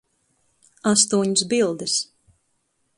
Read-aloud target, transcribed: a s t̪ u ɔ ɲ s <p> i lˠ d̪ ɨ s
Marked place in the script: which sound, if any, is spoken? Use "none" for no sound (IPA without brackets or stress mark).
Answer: b